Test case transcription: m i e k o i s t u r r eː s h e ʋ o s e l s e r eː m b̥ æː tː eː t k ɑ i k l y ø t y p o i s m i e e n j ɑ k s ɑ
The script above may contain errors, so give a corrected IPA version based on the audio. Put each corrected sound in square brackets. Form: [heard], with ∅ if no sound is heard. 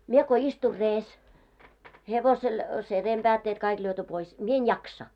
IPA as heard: m i e k o i s t u r r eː s h e ʋ o s e l s e r eː m b̥ æː tː eː t k ɑ i k l y ø t y p o i s m i e e n j ɑ k s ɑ